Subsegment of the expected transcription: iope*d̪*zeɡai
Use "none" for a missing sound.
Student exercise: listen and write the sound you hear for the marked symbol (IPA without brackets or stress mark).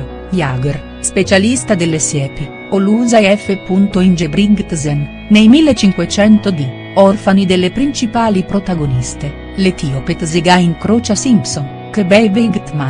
t̪